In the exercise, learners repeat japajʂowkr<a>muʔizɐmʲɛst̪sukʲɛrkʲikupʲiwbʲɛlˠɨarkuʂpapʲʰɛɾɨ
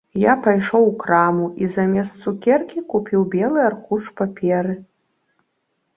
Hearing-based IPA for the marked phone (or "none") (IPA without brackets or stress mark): a